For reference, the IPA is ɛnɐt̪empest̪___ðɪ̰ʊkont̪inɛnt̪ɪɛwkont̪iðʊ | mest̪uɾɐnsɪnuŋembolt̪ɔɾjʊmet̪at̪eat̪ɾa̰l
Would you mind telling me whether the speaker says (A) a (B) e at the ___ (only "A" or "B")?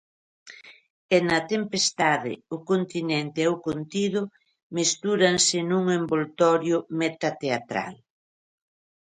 A